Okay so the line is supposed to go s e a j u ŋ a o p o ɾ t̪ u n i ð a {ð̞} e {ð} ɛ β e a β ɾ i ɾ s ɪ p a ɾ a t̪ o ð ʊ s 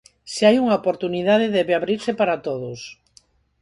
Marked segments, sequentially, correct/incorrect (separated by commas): correct, correct